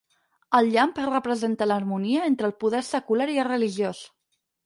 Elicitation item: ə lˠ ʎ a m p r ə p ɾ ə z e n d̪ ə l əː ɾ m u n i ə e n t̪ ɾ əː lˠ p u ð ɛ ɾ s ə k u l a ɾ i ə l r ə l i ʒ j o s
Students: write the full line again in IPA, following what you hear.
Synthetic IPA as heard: ə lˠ ʎ a m p r ə p ɾ ə z e n t̪ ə l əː ɾ m u n i ə e n t̪ ɾ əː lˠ p u ð ɛ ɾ s ə k u l a ɾ i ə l r ə l i ʒ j o s